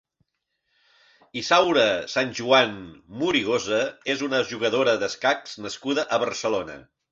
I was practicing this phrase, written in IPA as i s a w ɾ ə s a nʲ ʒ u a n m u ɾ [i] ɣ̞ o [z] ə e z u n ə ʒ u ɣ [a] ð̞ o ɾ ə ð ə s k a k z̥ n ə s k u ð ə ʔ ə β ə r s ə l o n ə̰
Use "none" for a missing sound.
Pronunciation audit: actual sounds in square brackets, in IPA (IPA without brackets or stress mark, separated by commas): i, z, ə